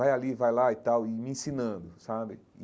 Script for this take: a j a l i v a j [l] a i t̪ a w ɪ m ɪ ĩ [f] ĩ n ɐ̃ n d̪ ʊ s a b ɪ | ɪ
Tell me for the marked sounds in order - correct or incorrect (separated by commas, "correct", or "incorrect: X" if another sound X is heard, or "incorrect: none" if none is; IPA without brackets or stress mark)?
correct, incorrect: s